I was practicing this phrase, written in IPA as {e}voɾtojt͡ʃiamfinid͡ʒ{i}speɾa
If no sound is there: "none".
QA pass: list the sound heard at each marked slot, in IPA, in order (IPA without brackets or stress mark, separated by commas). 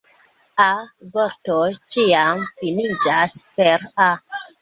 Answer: a, a